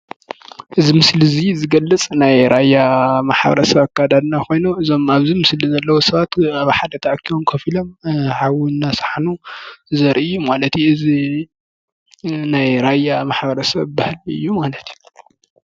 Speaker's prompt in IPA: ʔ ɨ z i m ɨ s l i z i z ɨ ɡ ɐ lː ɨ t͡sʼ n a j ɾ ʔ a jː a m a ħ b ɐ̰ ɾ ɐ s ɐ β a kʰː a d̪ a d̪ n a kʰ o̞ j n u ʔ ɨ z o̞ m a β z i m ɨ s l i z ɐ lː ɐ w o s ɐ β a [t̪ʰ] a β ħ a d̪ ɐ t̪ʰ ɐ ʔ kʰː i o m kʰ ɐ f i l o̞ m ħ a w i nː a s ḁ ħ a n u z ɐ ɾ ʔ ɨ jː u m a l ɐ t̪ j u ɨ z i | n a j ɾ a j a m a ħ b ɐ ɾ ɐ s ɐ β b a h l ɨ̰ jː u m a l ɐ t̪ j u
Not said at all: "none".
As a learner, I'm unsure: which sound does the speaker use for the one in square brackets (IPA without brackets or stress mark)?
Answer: t̪